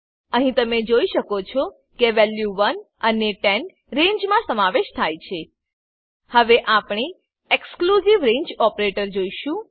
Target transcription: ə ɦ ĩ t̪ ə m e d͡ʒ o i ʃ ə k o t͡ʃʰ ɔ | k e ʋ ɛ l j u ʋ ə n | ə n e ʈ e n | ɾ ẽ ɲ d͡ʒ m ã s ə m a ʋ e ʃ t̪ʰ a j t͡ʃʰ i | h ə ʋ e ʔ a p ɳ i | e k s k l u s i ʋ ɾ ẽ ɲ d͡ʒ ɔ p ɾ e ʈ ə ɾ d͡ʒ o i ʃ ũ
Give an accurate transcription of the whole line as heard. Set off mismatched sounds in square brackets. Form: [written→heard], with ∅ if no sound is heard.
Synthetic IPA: ə ɦ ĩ t̪ ə m e d͡ʒ o i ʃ ə k o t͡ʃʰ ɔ | k e ʋ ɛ l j u ʋ ə n | ə n e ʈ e n | ɾ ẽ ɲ d͡ʒ m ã s ə m a ʋ e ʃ t̪ʰ a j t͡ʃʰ [i→e] | h ə ʋ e ʔ a p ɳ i | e k s k l u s i ʋ ɾ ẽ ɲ d͡ʒ ɔ p ɾ e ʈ ə ɾ d͡ʒ o i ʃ ũ